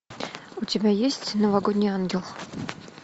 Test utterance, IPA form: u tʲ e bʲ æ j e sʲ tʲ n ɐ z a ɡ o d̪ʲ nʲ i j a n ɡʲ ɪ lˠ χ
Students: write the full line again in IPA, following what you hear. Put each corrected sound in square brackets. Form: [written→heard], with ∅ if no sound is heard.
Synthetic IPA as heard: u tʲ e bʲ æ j e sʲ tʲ n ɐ [z→v] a ɡ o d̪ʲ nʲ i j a n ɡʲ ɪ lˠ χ